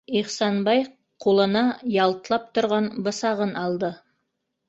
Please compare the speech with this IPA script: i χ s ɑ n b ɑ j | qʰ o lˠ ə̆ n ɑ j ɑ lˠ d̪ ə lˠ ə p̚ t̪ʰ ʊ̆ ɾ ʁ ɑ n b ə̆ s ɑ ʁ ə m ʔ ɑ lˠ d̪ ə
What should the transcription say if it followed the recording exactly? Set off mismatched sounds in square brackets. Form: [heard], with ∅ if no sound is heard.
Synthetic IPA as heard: i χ s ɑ n b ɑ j | qʰ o lˠ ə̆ n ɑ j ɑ lˠ [t̪] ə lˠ [ɑ] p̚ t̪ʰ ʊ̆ ɾ ʁ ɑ n b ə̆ s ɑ ʁ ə [n] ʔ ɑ lˠ d̪ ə